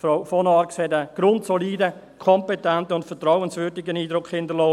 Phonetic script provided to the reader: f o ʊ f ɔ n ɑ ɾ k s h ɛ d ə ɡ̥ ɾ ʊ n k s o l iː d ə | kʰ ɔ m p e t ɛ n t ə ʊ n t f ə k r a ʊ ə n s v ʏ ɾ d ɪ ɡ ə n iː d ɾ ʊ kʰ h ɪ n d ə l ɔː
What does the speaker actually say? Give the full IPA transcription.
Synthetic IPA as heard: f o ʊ f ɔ n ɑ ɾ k s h ɛ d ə ɡ̥ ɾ ʊ n t s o l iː d ə | kʰ ɔ m p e t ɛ n t ə ʊ n t f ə t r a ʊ ə n s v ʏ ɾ d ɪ ɡ ə n iː d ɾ ʊ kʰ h ɪ n d ə l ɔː